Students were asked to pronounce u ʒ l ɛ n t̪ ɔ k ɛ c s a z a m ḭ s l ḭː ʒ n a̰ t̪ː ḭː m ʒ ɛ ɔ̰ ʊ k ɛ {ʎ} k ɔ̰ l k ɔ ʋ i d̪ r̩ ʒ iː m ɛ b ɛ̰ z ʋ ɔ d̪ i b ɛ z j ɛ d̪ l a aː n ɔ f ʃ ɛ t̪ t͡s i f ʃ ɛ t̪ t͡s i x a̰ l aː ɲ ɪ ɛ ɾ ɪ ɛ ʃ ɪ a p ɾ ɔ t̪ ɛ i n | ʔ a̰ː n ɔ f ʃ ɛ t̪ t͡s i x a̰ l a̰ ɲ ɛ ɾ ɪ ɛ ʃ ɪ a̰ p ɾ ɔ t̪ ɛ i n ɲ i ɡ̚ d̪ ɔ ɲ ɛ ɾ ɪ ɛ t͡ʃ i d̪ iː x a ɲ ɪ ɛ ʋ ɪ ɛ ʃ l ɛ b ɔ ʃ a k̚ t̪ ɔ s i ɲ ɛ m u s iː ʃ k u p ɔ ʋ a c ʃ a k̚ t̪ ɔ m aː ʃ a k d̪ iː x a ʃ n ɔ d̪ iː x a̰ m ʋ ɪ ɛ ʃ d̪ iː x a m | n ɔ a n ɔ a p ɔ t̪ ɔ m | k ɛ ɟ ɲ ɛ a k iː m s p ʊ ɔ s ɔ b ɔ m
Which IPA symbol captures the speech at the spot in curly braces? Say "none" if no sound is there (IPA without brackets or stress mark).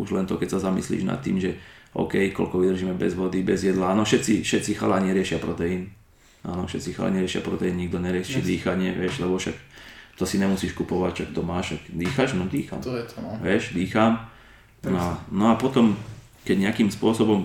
j